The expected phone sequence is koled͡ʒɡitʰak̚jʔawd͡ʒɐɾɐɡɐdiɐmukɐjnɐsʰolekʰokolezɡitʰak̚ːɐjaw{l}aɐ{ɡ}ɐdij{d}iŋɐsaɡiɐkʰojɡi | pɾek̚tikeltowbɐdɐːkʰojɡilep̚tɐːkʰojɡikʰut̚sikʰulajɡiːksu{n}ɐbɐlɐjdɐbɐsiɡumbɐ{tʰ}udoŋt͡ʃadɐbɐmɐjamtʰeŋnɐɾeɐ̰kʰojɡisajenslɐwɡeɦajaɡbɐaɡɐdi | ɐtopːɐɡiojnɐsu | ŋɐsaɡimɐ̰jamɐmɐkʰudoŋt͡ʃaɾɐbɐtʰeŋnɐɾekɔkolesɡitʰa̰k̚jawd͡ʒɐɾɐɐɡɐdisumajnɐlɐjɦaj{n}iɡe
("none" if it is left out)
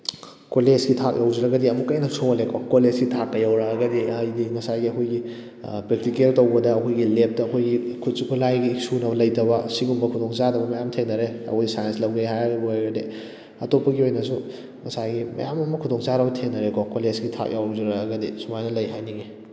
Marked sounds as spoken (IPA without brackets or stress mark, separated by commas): ɾ, ɡ, d, n, kʰ, n